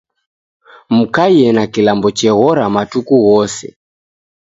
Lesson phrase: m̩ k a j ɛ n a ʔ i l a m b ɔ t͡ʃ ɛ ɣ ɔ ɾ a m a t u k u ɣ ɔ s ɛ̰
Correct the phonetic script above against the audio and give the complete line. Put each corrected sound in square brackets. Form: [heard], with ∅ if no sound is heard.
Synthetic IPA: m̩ k a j ɛ n a [k] i l a m b ɔ t͡ʃ ɛ ɣ ɔ ɾ a m a t u k u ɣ ɔ s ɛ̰